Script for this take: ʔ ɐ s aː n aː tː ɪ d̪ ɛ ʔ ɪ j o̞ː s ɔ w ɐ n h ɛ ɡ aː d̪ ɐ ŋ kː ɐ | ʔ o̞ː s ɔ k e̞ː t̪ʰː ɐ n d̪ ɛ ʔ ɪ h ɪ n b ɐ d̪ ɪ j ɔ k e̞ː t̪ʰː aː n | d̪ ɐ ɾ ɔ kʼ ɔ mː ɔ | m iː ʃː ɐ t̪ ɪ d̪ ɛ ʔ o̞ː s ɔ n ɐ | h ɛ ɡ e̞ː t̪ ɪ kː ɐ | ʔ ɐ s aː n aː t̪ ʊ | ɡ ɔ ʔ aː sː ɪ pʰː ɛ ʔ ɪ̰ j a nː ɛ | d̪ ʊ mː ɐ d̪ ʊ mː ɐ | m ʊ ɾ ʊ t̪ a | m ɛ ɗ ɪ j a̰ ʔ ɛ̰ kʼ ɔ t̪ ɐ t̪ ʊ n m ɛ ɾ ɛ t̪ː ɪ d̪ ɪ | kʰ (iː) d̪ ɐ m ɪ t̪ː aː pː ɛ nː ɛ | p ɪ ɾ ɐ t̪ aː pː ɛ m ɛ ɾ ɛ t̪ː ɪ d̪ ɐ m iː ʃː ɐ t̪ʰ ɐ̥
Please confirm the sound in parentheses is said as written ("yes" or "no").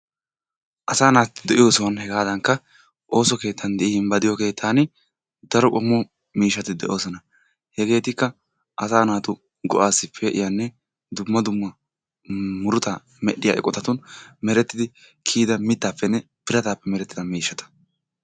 yes